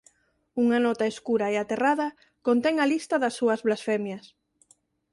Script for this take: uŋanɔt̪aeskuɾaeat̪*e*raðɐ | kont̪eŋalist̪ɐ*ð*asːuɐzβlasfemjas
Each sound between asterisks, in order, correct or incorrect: correct, correct

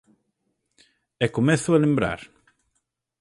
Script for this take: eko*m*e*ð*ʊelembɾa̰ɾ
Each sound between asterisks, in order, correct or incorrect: correct, incorrect: θ

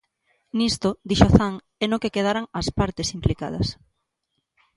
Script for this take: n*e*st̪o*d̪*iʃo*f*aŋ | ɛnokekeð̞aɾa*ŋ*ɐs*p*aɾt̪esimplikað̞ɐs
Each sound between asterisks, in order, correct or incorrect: incorrect: i, correct, incorrect: θ, correct, correct

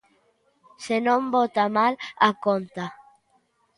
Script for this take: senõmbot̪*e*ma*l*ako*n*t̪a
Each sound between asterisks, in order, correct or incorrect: incorrect: a, correct, correct

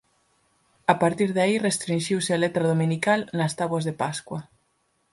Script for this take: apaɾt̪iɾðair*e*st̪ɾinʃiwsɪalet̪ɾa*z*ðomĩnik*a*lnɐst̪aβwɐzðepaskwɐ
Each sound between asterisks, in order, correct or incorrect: correct, incorrect: none, correct

